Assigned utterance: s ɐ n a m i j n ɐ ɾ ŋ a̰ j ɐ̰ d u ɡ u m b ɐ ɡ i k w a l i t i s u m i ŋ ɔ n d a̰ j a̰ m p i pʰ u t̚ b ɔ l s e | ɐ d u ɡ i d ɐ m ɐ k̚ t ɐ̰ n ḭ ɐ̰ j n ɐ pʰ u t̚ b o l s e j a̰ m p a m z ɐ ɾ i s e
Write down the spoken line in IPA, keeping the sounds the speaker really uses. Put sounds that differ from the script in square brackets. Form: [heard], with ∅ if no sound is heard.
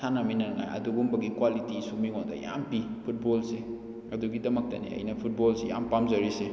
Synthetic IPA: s [a] n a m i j n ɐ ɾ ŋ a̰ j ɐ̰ d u ɡ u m b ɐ ɡ i k w a l i t i s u m i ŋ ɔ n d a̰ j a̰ m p i pʰ u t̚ b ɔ l s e | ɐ d u ɡ i d ɐ m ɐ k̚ t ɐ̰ n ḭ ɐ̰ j n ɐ pʰ u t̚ b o l s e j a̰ m p a m z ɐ ɾ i s e

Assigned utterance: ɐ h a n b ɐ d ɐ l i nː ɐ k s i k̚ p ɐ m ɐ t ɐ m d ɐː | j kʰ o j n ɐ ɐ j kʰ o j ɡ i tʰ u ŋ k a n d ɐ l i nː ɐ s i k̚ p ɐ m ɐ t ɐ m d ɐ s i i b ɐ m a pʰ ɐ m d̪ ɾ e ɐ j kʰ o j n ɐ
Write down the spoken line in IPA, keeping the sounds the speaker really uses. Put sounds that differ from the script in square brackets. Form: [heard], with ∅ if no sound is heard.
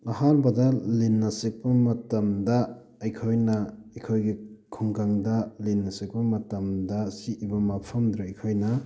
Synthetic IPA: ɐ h a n b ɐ d ɐ l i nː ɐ [∅] s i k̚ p ɐ m ɐ t ɐ m d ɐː | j kʰ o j n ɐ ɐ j kʰ o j ɡ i [kʰ] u ŋ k a [ŋ] d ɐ l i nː ɐ s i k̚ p ɐ m ɐ t ɐ m d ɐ s i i b ɐ m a pʰ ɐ m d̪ ɾ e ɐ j kʰ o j n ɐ

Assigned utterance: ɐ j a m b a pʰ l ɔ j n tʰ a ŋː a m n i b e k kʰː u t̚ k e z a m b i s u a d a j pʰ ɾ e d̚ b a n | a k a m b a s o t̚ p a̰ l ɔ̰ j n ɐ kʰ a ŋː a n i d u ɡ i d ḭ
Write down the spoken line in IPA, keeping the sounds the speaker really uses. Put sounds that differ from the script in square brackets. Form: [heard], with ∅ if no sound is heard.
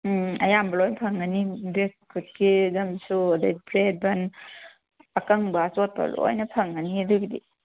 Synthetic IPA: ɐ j a m b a [∅] l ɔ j n [pʰ] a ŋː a [∅] n i b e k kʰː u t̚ k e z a m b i s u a d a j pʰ ɾ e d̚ b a n | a k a [ŋ] b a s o t̚ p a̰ l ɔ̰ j n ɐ [pʰ] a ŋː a n i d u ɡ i d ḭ

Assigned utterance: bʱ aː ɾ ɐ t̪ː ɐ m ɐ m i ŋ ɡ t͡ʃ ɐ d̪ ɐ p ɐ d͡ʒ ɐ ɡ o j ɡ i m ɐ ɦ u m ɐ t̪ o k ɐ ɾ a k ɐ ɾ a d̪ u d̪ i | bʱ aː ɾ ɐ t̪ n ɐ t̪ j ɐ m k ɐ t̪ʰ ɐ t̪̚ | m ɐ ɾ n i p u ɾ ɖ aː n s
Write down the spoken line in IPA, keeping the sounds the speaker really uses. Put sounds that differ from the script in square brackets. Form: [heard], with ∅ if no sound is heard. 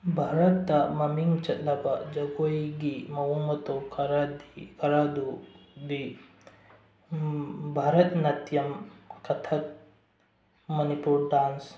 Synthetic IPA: bʱ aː ɾ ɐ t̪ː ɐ m ɐ m i ŋ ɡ t͡ʃ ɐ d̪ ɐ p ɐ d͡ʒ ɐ ɡ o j ɡ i m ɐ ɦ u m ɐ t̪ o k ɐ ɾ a k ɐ ɾ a d̪ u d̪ i | bʱ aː ɾ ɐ t̪ n ɐ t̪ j ɐ m k ɐ t̪ʰ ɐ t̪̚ | m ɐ [∅] n i p u ɾ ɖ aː n s

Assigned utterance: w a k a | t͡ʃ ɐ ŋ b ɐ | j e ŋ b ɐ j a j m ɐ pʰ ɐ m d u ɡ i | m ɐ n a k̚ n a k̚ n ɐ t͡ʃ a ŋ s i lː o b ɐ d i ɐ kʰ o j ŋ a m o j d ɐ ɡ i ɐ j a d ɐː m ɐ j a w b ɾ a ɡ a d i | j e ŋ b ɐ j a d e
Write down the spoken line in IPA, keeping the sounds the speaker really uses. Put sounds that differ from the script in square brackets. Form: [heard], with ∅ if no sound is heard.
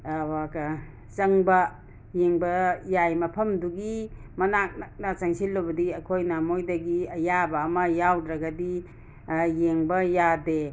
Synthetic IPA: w a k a | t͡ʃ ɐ ŋ b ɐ | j e ŋ b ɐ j a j m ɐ pʰ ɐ m d u ɡ i | m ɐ n a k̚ n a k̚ n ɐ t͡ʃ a ŋ s i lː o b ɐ d i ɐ kʰ o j [n] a m o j d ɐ ɡ i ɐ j a [b] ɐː m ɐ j a w [d] ɾ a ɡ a d i | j e ŋ b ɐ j a d e

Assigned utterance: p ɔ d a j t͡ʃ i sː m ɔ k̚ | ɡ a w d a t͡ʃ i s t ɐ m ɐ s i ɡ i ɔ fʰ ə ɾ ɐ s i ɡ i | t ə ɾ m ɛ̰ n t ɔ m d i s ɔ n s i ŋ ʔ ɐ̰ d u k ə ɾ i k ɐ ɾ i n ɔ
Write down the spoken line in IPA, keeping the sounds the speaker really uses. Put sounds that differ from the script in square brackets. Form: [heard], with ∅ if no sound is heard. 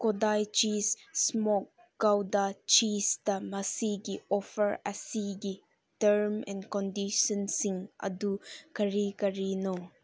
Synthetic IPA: [k] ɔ d a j t͡ʃ i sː m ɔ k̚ | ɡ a w d a t͡ʃ i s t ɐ m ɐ s i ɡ i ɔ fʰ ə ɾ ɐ s i ɡ i | t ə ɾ m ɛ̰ n [k] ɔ [n] d i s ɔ n s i ŋ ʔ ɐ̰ d u k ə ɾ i k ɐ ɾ i n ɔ

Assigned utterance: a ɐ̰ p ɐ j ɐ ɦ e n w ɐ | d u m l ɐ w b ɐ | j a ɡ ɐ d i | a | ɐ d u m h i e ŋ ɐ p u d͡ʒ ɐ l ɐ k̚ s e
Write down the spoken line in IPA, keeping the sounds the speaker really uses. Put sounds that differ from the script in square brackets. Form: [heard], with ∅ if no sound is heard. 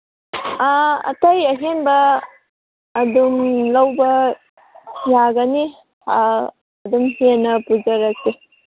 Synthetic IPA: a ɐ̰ [t] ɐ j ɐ ɦ e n [b] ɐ | d u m l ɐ w b ɐ | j a ɡ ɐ [n] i | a | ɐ d u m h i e [n] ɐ p u d͡ʒ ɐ [ɾ] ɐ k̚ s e

